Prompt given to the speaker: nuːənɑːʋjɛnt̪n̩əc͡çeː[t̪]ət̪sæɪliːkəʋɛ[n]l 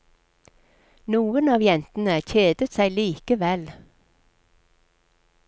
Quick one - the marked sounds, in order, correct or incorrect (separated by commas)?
incorrect, incorrect